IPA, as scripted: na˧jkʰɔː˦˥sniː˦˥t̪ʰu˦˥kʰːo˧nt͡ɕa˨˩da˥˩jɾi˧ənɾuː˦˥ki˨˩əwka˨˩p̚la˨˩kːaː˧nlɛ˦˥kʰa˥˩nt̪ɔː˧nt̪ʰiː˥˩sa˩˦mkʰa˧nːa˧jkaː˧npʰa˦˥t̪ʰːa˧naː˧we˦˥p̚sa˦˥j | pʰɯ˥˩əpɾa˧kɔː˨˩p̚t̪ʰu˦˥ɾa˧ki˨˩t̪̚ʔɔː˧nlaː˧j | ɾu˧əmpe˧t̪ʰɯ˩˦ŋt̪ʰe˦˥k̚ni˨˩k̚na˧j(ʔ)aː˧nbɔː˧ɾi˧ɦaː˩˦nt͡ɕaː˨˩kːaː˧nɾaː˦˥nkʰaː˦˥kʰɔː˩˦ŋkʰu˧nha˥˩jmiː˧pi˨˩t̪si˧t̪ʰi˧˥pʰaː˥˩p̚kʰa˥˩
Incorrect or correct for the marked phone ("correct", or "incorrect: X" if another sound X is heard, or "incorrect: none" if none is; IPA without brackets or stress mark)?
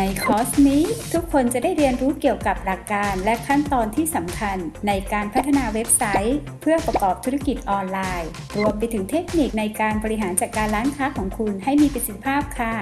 incorrect: k